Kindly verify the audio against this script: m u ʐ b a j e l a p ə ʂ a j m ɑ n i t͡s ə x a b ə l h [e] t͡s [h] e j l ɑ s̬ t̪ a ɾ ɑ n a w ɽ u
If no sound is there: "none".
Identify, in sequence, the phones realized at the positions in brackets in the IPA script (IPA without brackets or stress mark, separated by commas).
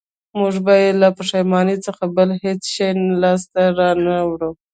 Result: e, ʃ